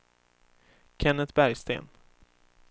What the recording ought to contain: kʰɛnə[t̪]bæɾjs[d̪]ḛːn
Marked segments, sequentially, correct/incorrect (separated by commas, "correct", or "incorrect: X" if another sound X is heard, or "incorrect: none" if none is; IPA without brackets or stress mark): correct, incorrect: t̪